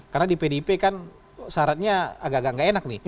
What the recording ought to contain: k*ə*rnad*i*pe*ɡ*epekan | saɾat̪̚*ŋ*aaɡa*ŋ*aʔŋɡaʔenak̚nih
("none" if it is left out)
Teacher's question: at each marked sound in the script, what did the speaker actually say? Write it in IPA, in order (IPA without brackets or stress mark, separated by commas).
a, i, d, ɲ, ɡ